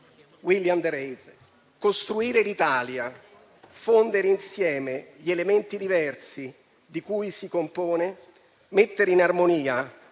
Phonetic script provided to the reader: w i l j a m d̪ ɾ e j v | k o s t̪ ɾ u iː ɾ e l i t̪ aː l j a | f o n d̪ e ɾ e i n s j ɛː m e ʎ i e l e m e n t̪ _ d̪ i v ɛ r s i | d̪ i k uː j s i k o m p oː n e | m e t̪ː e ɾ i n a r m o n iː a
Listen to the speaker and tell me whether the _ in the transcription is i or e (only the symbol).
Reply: i